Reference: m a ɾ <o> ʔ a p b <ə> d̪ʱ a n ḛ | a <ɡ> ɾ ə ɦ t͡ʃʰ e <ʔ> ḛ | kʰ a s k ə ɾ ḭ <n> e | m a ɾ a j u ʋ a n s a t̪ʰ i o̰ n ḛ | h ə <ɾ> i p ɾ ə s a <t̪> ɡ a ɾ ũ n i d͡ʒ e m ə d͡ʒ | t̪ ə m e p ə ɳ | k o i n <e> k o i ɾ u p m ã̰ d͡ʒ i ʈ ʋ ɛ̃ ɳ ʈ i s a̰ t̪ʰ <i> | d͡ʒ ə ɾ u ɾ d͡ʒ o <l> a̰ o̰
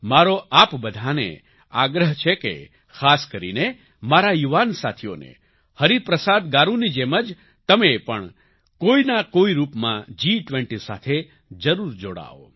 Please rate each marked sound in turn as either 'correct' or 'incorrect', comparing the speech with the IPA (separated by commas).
correct, correct, correct, incorrect, correct, correct, incorrect, incorrect, incorrect, incorrect